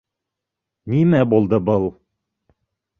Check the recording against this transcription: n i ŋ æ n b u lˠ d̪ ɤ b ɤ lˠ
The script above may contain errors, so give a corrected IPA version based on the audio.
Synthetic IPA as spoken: n i m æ b u lˠ d̪ ɤ b ɤ lˠ